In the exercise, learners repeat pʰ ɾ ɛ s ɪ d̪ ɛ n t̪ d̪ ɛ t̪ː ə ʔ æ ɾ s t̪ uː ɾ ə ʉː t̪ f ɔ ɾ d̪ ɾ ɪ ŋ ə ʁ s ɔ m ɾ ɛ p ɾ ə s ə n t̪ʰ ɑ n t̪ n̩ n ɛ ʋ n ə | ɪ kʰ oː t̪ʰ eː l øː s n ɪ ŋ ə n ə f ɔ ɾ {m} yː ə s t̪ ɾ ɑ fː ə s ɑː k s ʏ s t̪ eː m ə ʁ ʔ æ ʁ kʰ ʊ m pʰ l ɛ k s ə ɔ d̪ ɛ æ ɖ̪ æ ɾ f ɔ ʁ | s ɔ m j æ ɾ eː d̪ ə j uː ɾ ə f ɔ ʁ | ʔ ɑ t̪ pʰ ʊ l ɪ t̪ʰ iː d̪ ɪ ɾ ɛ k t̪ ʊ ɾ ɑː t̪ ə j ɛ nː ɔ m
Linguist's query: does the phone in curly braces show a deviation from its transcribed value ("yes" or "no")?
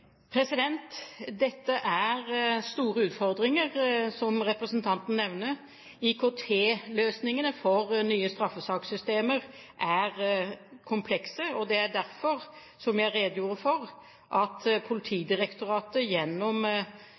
yes